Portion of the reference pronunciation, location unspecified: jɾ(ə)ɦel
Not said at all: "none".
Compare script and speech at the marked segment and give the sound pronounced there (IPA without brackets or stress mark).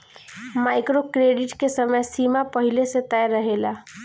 ə